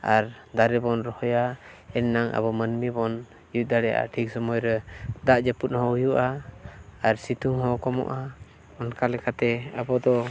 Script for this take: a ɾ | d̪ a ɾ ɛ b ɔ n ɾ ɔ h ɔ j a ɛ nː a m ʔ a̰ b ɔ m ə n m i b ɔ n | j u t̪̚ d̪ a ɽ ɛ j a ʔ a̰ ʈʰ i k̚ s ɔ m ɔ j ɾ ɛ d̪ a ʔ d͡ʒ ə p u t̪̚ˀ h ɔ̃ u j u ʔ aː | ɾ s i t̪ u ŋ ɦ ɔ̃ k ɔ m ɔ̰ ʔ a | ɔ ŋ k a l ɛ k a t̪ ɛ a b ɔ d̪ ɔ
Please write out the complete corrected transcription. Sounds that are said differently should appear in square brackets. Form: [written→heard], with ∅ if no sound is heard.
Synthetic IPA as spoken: a ɾ | d̪ a ɾ ɛ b ɔ n ɾ ɔ h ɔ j a ɛ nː a [m→ŋ] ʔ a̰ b ɔ m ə n m i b ɔ n | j u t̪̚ d̪ a ɽ ɛ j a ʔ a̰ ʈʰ i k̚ s ɔ m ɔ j ɾ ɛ d̪ a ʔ d͡ʒ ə p u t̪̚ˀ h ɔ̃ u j u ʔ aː | ɾ s i t̪ u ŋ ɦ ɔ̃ k ɔ m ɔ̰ ʔ a | ɔ [ŋ→n] k a l ɛ k a t̪ ɛ a b ɔ d̪ ɔ